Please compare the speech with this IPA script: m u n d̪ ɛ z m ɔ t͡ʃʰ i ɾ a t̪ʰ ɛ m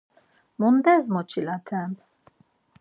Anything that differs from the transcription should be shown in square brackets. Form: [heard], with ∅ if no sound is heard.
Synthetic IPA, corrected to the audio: m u n d̪ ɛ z m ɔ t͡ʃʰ i [l] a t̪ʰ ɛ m